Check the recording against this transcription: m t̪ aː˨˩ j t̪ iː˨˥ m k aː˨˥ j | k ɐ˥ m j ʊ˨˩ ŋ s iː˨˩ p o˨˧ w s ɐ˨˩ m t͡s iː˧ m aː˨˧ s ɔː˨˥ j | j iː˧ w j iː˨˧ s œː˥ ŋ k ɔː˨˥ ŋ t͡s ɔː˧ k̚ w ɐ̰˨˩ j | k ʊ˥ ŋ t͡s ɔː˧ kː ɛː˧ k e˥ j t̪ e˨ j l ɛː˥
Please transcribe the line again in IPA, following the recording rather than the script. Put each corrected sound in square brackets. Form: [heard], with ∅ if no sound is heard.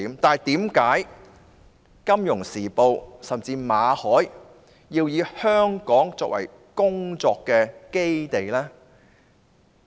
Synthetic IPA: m t̪ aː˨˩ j t̪ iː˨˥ m k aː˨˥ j | k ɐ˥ m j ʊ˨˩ ŋ s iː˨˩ p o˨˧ w s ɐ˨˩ m t͡s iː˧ m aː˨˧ [h] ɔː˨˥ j | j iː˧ w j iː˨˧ [h] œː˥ ŋ k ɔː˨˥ ŋ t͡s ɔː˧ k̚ w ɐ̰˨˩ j | k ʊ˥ ŋ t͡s ɔː˧ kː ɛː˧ k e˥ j t̪ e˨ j l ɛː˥